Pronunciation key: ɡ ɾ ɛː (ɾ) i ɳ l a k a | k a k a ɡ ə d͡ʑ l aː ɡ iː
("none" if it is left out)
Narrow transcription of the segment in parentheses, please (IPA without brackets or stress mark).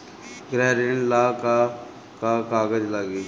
ɾ